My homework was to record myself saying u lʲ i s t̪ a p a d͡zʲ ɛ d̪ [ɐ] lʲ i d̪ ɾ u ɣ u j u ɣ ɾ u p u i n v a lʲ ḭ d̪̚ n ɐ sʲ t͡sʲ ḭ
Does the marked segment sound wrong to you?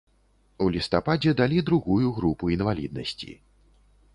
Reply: yes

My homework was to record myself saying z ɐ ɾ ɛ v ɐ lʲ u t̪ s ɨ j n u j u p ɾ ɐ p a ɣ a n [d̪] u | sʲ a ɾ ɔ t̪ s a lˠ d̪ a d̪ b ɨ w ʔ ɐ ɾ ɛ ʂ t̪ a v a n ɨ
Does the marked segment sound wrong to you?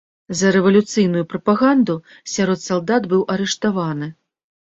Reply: no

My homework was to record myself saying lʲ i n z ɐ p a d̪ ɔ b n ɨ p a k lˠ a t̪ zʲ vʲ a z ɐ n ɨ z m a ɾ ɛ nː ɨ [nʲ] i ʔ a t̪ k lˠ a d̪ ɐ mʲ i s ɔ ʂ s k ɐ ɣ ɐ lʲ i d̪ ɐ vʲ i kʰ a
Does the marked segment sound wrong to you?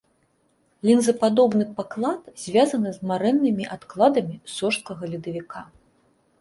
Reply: yes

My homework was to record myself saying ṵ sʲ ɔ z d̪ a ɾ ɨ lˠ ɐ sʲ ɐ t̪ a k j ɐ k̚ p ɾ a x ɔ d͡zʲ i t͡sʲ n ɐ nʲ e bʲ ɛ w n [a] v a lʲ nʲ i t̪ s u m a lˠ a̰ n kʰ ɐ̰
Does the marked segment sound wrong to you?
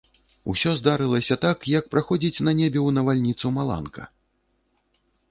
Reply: yes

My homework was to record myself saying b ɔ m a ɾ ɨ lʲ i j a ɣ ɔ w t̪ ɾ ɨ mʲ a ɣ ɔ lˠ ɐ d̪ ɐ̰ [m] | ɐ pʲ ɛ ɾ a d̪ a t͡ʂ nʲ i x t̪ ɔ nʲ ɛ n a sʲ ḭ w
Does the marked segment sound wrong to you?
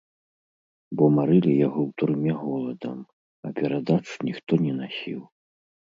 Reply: no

